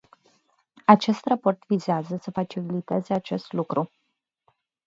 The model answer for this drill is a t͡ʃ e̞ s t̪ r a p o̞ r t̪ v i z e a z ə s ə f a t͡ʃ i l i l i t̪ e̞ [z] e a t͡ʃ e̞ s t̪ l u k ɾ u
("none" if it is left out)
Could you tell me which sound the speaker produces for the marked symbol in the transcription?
z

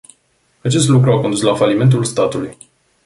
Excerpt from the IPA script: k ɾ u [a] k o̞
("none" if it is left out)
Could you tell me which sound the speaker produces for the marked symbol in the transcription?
a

